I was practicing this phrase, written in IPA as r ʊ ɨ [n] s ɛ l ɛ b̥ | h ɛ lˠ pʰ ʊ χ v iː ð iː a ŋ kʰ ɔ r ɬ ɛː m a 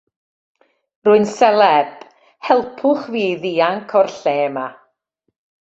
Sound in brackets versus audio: correct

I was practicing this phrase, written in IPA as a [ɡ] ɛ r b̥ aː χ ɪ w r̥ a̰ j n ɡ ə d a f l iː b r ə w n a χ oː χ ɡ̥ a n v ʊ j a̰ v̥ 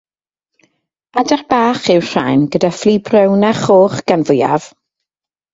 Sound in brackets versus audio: incorrect: d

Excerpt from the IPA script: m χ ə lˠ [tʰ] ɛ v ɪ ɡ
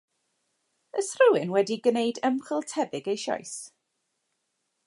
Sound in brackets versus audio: correct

